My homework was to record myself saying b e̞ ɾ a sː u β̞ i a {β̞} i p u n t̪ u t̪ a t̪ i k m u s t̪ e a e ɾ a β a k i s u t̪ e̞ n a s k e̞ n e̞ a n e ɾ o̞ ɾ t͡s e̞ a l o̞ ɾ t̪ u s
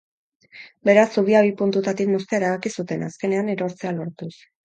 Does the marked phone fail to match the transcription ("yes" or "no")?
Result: no